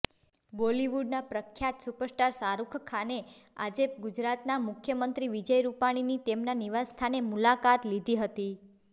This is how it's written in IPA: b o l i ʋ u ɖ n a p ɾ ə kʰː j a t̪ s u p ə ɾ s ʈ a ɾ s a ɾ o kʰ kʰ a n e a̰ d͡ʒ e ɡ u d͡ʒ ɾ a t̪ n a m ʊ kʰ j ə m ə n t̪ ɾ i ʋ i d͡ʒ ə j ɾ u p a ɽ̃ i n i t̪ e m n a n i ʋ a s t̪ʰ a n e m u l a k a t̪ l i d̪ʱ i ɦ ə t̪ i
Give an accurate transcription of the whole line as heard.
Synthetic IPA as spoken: b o l i ʋ u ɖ n a p ɾ ə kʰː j a t̪ s u p ə ɾ s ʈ a ɾ s a ɾ u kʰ kʰ a n e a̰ d͡ʒ e ɡ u d͡ʒ ɾ a t̪ n a m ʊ kʰ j ə m ə n t̪ ɾ i ʋ i d͡ʒ ə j ɾ u p a ɽ̃ i n i t̪ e m n a n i ʋ a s t̪ʰ a n e m u l a k a t̪ l i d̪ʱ i ɦ ə t̪ i

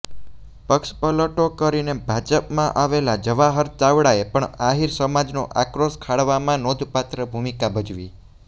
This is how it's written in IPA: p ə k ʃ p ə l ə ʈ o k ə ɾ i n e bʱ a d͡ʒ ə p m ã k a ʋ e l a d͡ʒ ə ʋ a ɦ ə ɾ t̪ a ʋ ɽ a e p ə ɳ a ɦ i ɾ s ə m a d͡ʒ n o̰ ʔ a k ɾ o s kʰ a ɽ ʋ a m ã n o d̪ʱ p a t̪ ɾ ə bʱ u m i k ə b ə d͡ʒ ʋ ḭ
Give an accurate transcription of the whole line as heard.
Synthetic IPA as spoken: p ə k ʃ p ə l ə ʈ o k ə ɾ i n e bʱ a d͡ʒ ə p m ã ʔ a ʋ e l a d͡ʒ ə ʋ a ɦ ə ɾ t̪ a ʋ ɽ a e p ə ɳ a ɦ i ɾ s ə m a d͡ʒ n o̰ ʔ a k ɾ o s kʰ a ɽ ʋ a m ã n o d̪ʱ p a t̪ ɾ ə bʱ u m i k a b ə d͡ʒ ʋ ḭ

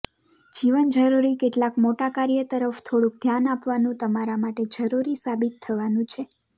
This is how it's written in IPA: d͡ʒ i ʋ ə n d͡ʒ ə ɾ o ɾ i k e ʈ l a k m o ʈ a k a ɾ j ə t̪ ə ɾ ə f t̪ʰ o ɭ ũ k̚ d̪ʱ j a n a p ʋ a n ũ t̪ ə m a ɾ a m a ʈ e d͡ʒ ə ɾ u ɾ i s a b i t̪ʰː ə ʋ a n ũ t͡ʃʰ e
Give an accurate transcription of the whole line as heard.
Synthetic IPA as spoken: d͡ʒ i ʋ ə n d͡ʒ ə ɾ u ɾ i k e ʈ l a k m o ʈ a k a ɾ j ə t̪ ə ɾ ə f t̪ʰ o ɽ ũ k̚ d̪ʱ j a n a p ʋ a n ũ t̪ ə m a ɾ a m a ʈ e d͡ʒ ə ɾ u ɾ i s a b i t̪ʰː ə ʋ a n ũ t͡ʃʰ e

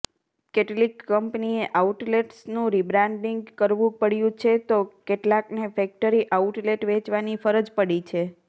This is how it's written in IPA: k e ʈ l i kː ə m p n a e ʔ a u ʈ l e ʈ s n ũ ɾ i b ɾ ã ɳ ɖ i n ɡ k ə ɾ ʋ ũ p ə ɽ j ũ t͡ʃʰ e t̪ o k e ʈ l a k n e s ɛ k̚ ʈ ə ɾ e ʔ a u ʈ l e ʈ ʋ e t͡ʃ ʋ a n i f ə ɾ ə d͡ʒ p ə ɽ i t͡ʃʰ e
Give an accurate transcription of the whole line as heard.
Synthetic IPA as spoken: k e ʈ l i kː ə m p n i e ʔ a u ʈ l e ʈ s n ũ ɾ i b ɾ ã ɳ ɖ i ŋ ɡ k ə ɾ ʋ ũ p ə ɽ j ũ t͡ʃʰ e t̪ o k e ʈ l a k n e f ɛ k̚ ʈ ə ɾ i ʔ a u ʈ l e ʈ ʋ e t͡ʃ ʋ a n i f ə ɾ ə d͡ʒ p ə ɽ i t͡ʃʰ e

